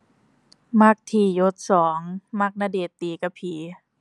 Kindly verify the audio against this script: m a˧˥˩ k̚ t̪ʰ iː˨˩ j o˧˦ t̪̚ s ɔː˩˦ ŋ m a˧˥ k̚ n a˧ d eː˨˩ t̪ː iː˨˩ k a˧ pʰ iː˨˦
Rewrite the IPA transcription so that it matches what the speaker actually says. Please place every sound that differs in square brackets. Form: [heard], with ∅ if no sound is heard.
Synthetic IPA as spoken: m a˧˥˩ k̚ t̪ʰ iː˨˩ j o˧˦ t̪̚ s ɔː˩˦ ŋ m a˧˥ k̚ n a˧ d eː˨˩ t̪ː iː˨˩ k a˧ pʰ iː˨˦